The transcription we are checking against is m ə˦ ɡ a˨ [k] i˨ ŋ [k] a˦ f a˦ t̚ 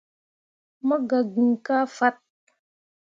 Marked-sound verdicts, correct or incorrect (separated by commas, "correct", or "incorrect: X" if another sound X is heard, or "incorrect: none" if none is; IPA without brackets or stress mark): incorrect: ɡ, correct